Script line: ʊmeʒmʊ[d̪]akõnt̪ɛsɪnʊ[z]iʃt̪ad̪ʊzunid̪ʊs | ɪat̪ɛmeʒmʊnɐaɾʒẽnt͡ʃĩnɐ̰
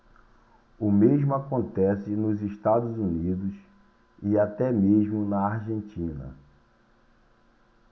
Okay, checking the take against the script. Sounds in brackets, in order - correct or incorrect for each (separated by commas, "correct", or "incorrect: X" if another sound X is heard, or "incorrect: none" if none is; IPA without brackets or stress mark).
incorrect: none, correct